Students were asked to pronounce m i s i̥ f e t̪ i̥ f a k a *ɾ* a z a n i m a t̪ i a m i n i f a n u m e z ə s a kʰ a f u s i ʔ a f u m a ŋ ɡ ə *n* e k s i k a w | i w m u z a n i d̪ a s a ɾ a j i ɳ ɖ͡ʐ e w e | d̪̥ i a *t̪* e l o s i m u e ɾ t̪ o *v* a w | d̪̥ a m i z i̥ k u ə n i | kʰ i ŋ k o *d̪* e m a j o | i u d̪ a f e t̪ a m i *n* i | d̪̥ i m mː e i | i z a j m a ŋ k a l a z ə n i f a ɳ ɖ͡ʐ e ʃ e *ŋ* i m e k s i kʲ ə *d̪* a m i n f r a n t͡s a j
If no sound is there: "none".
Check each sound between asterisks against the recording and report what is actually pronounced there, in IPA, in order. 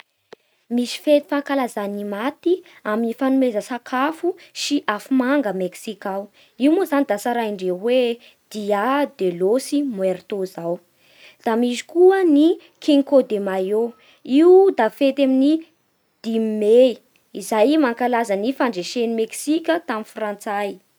l, m, d̪, z, d̪, n, n, t̪

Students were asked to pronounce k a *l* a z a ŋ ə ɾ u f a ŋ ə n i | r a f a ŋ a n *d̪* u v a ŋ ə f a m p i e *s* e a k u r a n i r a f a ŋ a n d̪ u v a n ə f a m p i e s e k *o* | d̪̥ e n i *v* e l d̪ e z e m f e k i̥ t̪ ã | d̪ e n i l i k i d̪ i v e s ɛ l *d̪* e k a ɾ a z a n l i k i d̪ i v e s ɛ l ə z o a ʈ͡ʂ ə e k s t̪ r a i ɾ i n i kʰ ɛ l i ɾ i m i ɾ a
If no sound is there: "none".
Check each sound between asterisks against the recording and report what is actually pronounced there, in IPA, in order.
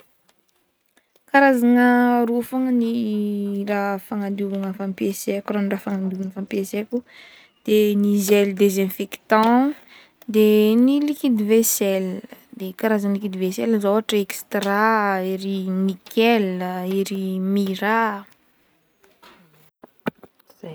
ɾ, d̪, s, u, z, d̪

